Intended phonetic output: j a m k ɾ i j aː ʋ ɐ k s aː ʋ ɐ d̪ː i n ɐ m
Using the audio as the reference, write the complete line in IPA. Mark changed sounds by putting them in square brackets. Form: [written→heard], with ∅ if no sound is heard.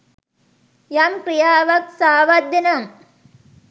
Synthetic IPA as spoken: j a m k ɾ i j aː ʋ ɐ k s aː ʋ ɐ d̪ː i n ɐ m